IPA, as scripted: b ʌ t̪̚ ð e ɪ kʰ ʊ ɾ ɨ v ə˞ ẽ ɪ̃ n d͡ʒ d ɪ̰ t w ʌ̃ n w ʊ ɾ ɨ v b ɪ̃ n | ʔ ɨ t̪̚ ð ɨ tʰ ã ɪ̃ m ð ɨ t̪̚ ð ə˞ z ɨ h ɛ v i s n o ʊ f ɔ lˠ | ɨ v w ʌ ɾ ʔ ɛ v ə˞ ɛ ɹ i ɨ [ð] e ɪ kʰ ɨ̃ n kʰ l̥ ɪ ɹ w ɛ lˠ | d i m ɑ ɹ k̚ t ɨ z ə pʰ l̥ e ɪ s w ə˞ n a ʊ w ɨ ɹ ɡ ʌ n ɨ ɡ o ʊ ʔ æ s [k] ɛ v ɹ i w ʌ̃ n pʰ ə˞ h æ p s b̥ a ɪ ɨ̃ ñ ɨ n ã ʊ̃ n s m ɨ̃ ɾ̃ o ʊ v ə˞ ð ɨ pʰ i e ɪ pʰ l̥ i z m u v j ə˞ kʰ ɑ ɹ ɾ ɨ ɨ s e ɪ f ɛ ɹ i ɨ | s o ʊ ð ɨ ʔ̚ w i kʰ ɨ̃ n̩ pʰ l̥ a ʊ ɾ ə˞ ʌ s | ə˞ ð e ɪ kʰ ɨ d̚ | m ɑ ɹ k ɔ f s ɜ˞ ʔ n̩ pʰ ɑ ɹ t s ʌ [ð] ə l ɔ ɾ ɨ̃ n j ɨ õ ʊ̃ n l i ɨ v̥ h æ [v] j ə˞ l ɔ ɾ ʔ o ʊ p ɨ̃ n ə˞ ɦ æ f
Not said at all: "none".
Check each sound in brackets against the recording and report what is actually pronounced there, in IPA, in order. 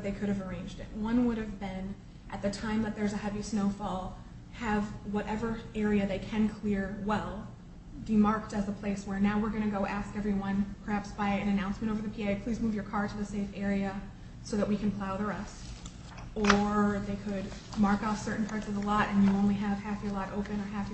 ð, k, v, f

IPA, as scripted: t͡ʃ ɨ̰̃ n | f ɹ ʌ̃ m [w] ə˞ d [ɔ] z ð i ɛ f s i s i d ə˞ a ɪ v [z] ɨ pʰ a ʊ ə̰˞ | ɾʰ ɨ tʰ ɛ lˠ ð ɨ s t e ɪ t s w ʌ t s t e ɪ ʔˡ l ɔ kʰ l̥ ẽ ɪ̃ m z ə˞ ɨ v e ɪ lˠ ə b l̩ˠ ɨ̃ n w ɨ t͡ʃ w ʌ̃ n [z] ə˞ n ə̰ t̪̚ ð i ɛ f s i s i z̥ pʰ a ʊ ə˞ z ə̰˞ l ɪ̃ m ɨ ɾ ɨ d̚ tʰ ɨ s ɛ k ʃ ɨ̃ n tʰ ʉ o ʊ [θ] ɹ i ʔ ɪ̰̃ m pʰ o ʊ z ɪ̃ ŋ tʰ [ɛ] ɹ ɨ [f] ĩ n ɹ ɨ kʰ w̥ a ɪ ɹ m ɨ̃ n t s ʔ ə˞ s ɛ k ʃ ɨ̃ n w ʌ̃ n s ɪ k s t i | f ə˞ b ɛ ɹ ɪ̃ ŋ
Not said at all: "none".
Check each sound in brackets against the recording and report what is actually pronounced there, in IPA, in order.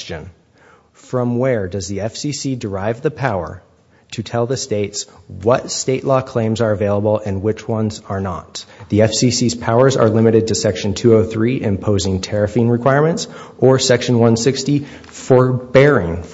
w, ʌ, ð, z, θ, ɛ, f

